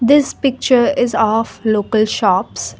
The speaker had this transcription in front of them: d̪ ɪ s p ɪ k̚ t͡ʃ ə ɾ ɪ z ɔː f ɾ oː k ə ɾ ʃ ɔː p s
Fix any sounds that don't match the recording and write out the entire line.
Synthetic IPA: d̪ ɪ s p ɪ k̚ t͡ʃ ə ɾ ɪ z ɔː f l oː k ə l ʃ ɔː p s